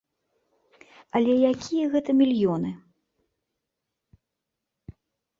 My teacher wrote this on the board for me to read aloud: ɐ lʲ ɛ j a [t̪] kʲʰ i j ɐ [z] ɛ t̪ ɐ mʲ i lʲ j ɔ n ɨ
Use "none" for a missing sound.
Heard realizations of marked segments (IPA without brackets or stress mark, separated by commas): none, ɣ